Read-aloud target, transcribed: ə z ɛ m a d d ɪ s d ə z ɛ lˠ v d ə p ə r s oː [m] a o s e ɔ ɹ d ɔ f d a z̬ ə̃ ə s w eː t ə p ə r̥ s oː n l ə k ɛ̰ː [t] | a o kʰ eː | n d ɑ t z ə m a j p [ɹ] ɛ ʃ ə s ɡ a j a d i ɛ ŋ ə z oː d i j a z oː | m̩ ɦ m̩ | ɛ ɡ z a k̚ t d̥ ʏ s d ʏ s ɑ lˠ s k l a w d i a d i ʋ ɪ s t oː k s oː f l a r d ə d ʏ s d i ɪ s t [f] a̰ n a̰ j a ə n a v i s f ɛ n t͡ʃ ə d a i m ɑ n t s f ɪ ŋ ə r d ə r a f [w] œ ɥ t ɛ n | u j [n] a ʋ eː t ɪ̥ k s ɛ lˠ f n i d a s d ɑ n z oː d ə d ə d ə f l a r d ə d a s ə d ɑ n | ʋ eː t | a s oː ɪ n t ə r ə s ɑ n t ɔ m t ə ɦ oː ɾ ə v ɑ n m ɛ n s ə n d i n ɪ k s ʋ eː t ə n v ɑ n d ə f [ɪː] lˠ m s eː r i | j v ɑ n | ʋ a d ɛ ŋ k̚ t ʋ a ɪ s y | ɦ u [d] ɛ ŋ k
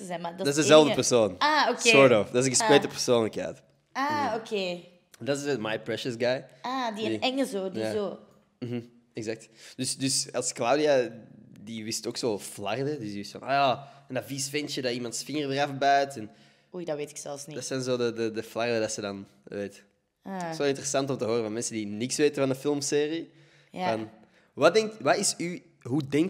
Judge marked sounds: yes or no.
no, yes, yes, yes, no, no, no, yes

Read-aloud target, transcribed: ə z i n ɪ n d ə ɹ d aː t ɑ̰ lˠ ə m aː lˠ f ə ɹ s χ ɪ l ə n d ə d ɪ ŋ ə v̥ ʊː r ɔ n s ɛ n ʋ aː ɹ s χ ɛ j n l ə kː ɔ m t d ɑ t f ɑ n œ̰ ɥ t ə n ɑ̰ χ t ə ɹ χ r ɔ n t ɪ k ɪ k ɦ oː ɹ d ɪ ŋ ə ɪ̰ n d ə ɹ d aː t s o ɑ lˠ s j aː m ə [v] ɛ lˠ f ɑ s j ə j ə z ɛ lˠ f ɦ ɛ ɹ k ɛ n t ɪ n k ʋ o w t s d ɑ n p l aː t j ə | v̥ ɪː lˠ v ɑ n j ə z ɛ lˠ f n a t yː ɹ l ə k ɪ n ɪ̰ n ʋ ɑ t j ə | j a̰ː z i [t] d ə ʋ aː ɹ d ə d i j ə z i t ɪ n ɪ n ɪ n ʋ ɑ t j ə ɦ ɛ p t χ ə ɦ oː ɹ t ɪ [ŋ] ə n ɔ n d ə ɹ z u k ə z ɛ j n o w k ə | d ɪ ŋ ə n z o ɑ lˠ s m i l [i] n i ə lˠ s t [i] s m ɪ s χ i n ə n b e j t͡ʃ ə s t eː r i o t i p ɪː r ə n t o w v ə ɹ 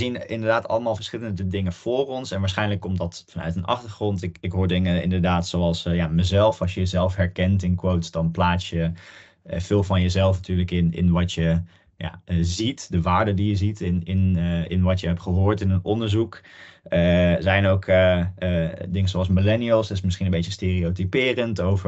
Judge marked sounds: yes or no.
no, yes, no, no, no

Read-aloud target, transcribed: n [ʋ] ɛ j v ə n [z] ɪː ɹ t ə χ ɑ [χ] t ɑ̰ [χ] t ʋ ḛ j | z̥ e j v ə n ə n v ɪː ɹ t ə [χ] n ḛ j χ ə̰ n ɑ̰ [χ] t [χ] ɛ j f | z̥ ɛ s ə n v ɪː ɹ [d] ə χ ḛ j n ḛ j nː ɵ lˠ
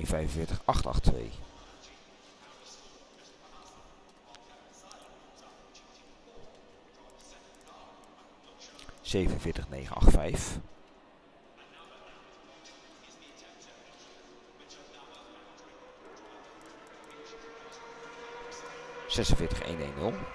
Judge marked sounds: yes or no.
no, no, yes, yes, yes, yes, no, no

